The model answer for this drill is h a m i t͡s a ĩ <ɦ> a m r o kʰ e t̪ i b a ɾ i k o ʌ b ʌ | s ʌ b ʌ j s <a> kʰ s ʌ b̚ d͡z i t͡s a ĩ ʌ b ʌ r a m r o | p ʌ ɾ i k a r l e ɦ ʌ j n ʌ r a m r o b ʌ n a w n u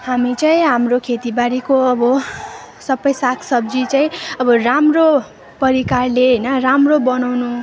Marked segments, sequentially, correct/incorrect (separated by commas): correct, correct